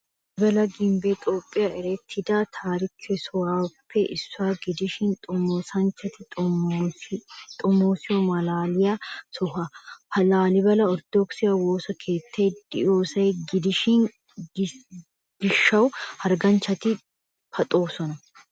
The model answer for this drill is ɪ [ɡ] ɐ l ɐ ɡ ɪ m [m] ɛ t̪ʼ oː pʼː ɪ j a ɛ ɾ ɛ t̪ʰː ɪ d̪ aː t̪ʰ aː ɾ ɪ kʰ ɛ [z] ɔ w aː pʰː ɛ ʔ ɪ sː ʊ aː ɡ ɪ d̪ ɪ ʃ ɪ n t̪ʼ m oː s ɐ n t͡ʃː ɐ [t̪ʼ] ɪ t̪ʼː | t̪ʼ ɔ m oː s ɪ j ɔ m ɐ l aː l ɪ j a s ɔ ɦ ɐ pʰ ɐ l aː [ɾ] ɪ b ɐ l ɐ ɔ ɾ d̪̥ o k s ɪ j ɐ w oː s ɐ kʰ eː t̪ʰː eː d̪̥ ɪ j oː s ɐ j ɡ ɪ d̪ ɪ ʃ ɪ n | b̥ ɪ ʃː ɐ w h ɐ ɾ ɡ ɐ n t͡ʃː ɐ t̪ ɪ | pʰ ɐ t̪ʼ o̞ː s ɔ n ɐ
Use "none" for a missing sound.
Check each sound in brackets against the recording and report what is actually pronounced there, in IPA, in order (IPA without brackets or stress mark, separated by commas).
b, b, s, t̪, l